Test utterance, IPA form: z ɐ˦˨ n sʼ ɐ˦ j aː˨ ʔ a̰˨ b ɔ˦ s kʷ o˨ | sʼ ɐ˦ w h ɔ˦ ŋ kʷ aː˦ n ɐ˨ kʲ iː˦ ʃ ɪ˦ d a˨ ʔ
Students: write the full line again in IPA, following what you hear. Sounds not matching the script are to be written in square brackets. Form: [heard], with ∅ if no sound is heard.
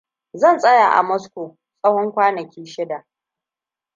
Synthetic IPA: z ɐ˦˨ n sʼ ɐ˦ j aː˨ ʔ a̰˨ [m] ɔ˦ s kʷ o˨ | sʼ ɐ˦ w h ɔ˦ ŋ kʷ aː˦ n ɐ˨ kʲ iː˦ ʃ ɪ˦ d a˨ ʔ